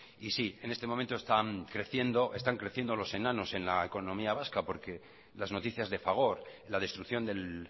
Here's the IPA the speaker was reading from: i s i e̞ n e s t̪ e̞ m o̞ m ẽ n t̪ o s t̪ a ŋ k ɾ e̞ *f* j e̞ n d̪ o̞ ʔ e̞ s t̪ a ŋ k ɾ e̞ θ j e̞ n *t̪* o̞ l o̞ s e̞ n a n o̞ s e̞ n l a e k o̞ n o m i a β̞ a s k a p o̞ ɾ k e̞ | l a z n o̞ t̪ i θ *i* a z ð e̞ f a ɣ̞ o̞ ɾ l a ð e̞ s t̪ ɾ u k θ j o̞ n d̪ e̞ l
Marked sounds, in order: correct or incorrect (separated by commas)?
incorrect, incorrect, incorrect